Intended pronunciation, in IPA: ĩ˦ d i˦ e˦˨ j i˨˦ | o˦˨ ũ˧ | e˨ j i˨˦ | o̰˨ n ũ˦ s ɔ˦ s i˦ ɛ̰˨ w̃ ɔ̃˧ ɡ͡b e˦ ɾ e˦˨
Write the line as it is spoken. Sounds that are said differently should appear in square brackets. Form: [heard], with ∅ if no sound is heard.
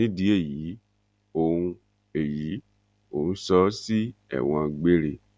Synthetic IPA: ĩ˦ d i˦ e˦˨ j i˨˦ | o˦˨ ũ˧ | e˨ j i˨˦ | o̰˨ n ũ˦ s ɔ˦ s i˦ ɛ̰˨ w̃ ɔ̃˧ ɡ͡b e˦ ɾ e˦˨